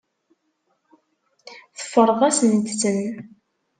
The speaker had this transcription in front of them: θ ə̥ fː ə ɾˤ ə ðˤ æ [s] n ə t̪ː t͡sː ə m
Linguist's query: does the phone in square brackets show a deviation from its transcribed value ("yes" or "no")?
no